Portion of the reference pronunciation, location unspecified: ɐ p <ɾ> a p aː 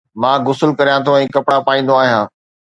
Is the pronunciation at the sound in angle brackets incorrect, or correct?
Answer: incorrect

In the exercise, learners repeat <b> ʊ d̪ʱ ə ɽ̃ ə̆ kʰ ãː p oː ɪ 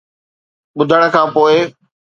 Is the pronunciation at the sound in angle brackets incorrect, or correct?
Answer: incorrect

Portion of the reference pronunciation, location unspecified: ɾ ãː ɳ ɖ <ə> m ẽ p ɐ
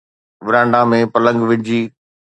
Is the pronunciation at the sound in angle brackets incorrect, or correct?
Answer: incorrect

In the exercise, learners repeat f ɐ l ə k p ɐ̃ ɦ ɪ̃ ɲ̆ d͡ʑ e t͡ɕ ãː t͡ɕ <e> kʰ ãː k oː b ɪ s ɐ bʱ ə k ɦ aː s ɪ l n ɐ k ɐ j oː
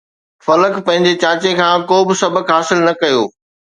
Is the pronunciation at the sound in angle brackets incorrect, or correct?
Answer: correct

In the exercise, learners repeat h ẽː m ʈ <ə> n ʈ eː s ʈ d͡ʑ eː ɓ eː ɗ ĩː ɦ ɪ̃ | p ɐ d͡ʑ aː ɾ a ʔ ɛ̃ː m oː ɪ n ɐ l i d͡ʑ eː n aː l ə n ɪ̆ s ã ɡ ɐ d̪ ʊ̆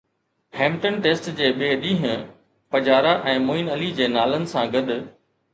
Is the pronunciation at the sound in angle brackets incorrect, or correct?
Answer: correct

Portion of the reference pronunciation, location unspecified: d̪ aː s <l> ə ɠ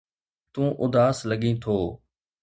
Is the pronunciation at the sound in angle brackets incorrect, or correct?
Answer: correct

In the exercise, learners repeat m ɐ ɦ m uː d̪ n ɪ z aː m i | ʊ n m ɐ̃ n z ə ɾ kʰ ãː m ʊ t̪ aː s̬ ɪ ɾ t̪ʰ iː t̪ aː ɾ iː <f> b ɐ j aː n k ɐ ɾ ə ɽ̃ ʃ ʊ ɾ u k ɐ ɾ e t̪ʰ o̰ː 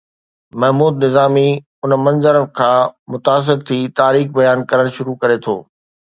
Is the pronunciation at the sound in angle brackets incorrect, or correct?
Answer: incorrect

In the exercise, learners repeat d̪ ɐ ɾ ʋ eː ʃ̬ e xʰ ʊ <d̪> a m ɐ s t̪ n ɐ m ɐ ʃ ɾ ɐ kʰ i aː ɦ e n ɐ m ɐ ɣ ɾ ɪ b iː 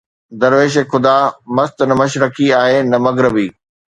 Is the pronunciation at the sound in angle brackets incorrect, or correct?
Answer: correct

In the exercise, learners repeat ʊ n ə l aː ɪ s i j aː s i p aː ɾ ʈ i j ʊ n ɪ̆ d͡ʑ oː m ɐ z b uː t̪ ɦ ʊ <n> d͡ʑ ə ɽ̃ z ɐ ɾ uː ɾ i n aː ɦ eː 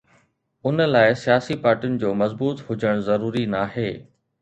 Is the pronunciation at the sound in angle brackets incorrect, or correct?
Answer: incorrect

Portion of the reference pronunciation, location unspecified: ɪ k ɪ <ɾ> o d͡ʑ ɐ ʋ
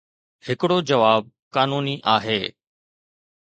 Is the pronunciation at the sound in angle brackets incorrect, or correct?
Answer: incorrect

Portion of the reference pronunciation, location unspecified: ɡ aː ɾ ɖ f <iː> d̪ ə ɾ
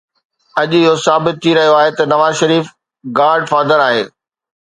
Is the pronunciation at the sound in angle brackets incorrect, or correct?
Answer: incorrect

